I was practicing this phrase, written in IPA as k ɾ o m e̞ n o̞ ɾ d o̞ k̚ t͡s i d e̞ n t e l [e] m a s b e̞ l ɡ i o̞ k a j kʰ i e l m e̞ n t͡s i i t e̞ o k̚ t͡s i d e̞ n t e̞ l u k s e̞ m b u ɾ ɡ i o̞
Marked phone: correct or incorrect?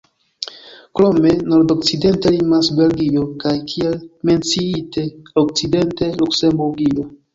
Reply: incorrect